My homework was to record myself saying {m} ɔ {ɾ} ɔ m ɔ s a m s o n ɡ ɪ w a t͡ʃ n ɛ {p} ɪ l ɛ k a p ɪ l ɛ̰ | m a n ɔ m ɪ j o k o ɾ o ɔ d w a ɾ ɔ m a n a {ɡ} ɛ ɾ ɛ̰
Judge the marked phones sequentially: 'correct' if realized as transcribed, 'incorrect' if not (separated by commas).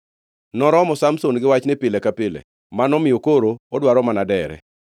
incorrect, correct, correct, incorrect